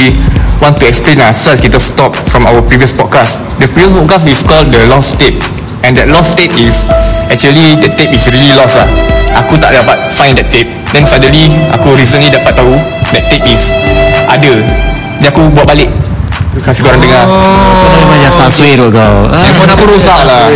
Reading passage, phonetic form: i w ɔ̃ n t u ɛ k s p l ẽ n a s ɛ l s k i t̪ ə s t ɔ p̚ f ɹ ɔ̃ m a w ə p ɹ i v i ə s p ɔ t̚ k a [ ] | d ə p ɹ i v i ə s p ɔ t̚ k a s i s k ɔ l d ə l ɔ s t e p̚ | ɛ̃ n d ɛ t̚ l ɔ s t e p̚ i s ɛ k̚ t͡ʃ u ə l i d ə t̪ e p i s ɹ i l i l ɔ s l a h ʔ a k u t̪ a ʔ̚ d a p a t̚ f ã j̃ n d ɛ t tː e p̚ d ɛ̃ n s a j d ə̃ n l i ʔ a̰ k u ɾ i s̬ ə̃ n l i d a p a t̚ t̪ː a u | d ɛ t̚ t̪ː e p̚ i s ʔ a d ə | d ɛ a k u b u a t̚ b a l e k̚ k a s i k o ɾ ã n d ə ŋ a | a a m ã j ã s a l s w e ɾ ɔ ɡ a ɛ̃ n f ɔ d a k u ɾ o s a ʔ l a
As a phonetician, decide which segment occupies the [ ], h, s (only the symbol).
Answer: s